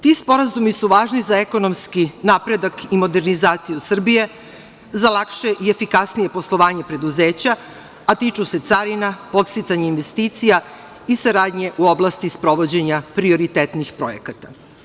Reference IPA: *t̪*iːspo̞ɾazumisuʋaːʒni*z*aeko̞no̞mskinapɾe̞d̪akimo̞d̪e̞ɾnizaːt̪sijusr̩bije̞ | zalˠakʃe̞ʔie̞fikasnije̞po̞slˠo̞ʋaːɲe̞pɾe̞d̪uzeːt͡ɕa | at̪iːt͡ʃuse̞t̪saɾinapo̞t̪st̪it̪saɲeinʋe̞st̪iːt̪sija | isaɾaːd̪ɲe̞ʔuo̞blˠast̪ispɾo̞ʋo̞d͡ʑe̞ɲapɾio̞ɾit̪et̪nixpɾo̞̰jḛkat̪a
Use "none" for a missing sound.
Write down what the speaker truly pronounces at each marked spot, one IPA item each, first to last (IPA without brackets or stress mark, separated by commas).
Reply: t̪, z